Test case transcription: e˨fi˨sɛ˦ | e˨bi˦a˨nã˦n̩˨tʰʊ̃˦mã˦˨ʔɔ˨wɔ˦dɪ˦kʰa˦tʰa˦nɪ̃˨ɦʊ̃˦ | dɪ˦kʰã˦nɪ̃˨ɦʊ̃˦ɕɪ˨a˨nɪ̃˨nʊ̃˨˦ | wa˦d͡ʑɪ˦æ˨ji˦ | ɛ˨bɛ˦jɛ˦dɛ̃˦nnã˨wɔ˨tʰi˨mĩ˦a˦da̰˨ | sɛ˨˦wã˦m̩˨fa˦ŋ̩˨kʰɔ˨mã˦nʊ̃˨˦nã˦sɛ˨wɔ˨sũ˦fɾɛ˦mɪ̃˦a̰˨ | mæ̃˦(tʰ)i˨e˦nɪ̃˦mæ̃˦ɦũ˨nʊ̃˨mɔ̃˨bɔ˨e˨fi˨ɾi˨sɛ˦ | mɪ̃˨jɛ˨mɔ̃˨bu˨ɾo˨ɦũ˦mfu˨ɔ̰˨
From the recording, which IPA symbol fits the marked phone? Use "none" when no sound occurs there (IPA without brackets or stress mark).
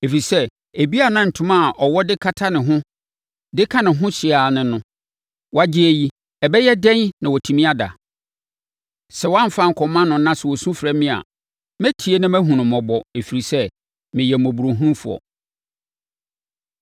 tʰ